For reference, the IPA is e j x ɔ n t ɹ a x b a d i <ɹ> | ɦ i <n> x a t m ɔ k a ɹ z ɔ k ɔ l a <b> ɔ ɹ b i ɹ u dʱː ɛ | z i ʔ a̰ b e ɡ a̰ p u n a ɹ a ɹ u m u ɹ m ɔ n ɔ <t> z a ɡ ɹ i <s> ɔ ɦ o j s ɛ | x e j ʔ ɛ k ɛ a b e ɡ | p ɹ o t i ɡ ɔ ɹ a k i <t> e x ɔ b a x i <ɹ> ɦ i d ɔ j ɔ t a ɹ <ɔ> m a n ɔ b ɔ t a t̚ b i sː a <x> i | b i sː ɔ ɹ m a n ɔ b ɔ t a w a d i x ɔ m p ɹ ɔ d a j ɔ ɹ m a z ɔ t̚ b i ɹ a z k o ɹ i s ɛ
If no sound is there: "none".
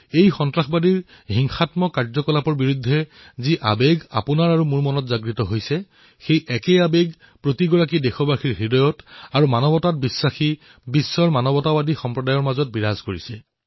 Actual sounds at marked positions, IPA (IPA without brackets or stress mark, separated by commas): ɹ, ŋ, p, t, t, d, ɹ, u, x